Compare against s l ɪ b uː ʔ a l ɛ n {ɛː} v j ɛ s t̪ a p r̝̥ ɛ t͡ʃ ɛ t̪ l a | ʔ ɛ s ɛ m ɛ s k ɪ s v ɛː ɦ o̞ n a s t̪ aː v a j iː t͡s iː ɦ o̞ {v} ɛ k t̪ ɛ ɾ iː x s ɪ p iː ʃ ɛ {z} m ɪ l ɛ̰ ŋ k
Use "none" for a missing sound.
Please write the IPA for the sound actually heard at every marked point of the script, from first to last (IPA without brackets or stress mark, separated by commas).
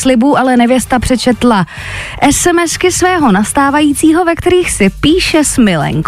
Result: ɛ, v, s